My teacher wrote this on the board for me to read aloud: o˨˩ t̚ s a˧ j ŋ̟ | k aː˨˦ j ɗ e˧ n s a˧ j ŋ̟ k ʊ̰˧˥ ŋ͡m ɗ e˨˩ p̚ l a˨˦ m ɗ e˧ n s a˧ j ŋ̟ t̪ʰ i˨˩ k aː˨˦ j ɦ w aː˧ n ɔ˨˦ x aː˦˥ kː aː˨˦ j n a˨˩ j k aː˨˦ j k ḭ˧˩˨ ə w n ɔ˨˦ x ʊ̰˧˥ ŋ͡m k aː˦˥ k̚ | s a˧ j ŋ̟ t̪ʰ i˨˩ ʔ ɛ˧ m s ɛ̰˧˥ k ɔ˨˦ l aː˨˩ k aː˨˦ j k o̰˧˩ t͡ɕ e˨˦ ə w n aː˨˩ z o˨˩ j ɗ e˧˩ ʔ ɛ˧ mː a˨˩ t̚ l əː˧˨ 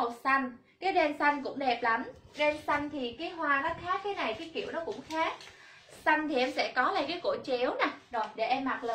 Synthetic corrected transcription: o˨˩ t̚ s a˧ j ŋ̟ | k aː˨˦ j ɗ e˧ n s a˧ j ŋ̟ k ʊ̰˧˥ ŋ͡m ɗ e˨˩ p̚ l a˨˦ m ɗ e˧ n s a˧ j ŋ̟ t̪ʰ i˨˩ k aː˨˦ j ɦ w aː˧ n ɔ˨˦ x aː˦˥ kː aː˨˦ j n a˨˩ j k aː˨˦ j k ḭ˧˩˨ ə w n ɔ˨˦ k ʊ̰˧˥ ŋ͡m x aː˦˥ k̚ | s a˧ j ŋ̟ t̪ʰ i˨˩ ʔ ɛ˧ m s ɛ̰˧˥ k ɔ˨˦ l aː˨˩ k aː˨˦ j k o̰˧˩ t͡ɕ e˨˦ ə w n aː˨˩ z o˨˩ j ɗ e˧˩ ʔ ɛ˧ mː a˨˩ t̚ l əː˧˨